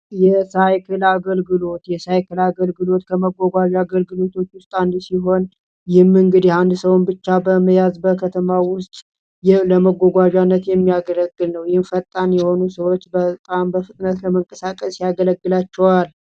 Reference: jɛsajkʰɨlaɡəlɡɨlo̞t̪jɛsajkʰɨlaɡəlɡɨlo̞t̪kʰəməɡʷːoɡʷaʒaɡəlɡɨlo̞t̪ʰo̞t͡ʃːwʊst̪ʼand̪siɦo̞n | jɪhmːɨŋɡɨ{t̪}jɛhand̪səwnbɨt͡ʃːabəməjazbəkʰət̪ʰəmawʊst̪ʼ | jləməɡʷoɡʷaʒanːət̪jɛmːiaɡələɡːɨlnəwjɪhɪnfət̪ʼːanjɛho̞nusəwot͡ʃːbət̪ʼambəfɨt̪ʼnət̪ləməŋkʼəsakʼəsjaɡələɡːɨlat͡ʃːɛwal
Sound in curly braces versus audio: incorrect: d̪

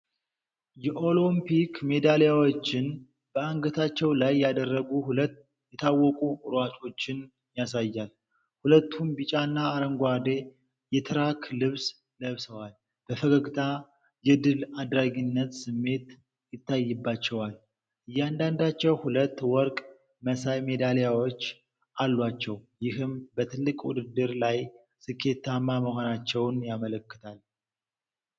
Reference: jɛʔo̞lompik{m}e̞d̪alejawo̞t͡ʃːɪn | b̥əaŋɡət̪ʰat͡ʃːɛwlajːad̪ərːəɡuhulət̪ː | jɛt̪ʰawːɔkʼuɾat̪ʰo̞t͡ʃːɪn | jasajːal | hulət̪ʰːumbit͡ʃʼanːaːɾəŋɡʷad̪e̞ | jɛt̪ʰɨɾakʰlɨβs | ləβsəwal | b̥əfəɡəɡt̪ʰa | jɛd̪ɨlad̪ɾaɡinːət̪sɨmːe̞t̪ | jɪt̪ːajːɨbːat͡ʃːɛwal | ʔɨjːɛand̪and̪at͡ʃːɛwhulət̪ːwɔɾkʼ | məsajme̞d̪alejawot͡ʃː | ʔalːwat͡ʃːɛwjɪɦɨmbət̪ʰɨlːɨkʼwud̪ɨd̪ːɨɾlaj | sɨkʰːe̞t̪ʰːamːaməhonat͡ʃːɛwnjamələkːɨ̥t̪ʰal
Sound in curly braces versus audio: correct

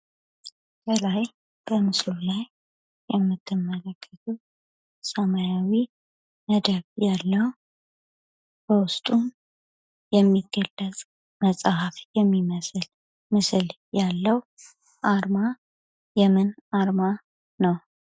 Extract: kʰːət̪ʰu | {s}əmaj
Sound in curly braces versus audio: correct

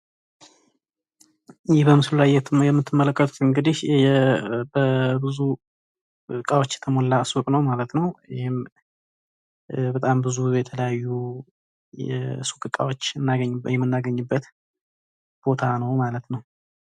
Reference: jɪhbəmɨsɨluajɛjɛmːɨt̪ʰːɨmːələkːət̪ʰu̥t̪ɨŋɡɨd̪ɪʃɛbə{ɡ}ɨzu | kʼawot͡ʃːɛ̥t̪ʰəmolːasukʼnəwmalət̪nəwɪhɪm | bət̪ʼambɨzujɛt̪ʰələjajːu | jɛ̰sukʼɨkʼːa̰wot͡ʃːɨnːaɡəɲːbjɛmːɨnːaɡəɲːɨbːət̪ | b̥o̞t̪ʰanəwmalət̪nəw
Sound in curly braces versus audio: incorrect: b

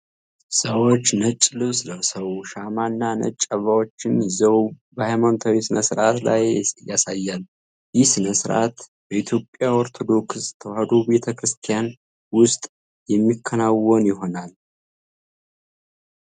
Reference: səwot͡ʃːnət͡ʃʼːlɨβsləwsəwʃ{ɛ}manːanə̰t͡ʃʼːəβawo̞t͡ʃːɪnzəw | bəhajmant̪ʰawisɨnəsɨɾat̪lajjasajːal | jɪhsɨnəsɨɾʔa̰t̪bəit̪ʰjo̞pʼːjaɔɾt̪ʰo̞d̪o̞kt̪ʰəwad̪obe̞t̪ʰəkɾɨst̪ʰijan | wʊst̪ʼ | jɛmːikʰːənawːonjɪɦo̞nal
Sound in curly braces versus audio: incorrect: a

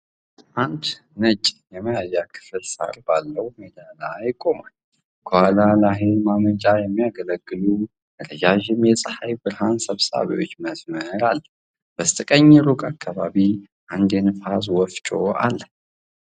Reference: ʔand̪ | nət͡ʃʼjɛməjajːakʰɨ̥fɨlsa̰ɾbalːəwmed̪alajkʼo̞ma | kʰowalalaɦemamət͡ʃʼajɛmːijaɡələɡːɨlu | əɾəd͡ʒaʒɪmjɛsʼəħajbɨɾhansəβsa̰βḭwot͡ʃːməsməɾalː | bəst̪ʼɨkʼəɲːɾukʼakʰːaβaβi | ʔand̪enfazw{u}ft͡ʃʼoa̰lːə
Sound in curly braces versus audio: incorrect: ɔ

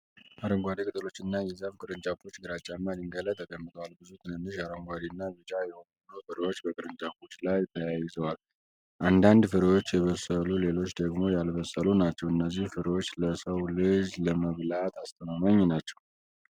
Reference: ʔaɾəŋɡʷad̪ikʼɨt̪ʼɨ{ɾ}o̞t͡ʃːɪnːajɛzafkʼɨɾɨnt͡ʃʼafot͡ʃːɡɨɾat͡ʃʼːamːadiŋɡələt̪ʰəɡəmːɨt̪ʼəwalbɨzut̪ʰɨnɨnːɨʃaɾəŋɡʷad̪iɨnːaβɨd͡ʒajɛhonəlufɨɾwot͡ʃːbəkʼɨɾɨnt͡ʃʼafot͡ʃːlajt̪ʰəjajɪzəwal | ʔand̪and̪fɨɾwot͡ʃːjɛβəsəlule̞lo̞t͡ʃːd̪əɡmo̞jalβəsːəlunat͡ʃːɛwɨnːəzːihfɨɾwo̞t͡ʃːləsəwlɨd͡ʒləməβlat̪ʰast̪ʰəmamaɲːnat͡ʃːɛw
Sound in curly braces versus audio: incorrect: l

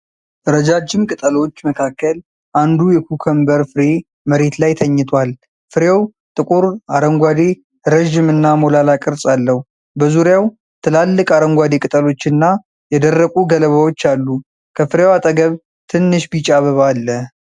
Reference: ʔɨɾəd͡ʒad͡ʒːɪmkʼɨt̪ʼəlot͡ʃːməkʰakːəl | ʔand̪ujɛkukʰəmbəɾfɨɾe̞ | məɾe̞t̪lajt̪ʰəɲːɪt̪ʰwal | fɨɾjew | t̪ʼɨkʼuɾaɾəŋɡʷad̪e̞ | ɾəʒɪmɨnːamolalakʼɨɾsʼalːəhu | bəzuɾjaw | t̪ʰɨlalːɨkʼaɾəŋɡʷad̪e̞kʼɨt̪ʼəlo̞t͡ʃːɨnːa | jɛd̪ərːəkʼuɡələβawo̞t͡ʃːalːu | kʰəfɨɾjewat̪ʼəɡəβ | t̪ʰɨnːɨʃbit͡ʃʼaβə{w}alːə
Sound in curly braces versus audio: incorrect: β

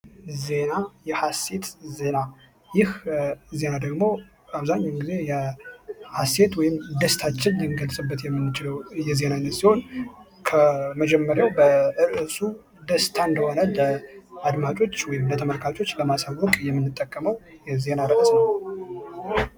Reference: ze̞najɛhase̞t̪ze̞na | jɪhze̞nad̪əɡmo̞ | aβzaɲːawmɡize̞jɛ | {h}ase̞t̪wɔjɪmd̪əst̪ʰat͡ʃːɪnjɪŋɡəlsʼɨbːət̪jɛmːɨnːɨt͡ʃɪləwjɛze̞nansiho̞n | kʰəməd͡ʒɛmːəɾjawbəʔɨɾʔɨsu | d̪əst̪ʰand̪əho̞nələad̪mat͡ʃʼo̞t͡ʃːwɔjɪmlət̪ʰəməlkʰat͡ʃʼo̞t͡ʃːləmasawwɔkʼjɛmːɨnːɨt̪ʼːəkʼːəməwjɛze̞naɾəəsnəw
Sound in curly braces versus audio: correct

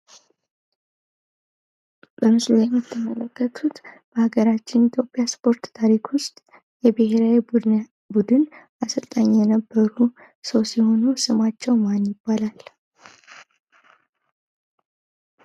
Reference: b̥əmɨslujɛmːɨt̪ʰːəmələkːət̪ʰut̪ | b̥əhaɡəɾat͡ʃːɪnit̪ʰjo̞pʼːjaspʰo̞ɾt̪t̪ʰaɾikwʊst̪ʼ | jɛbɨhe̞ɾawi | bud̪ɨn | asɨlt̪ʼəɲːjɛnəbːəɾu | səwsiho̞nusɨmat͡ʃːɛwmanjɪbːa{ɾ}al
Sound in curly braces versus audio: incorrect: l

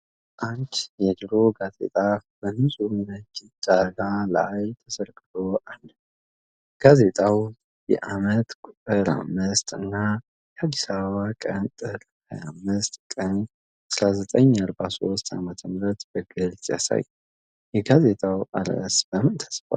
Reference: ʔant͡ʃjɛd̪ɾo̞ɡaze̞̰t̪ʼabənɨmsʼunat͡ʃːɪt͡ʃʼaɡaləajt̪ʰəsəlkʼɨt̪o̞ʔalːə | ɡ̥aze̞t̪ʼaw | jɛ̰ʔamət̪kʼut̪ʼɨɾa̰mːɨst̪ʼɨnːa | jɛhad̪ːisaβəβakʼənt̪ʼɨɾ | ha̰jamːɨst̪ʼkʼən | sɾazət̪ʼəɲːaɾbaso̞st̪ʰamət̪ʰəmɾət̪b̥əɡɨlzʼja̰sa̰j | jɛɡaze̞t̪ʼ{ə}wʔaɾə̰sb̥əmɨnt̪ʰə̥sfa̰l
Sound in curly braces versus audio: incorrect: a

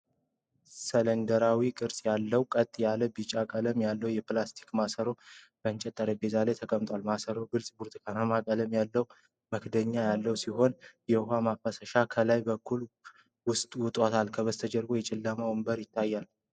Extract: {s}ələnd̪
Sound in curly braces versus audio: correct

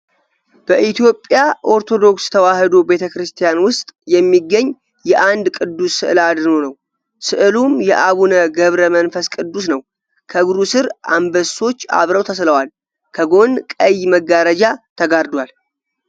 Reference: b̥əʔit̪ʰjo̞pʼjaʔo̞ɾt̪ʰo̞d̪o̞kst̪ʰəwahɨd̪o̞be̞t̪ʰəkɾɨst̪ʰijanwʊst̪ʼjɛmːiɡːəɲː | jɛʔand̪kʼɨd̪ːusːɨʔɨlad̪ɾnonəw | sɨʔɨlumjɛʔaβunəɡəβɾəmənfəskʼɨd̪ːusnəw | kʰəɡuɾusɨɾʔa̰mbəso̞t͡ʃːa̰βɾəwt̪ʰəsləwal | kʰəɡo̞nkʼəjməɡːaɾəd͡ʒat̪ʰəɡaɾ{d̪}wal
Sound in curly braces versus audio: correct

